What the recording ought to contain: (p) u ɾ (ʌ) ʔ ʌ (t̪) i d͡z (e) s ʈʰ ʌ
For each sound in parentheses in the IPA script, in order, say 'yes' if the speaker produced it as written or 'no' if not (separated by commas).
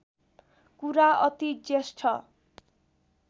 no, no, yes, yes